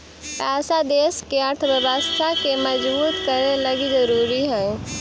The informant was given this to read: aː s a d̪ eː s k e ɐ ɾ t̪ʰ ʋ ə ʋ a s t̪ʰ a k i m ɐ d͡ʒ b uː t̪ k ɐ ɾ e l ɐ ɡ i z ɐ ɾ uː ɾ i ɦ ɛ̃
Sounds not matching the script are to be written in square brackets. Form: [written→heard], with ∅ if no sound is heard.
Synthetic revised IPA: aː s a d̪ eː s k e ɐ ɾ t̪ʰ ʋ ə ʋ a s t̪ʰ a k [i→e] m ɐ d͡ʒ b uː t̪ k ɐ ɾ e l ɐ ɡ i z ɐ ɾ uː ɾ i ɦ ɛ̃